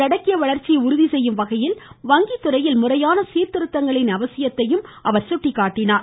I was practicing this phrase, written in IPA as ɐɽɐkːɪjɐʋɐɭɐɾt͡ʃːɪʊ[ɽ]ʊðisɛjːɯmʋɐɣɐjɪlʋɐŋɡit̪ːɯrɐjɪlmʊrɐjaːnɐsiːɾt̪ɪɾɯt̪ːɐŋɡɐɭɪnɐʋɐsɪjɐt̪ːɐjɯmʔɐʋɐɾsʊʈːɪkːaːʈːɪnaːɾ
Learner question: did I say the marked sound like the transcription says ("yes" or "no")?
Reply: no